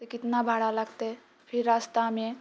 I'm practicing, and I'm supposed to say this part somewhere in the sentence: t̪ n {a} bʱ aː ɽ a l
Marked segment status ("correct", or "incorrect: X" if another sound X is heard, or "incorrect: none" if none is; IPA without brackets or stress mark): correct